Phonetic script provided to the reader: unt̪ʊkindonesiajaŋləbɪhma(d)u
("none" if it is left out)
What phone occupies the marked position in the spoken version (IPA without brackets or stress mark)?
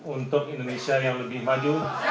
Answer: d͡ʒ